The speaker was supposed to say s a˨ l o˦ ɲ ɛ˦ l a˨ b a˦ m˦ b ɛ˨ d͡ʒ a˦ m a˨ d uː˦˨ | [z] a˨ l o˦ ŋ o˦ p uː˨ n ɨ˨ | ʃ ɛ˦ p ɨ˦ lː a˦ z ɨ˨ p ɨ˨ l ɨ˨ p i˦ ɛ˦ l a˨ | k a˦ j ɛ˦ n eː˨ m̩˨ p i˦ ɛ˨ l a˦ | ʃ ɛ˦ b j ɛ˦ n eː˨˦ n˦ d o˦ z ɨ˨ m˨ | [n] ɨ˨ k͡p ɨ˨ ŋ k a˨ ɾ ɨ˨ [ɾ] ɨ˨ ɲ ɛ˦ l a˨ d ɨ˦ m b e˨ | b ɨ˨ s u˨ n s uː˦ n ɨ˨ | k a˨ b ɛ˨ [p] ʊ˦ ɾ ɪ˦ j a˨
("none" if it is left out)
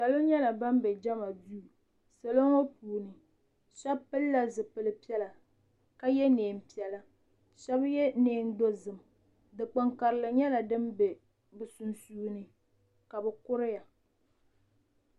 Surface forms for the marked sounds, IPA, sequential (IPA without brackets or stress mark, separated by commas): s, d, l, k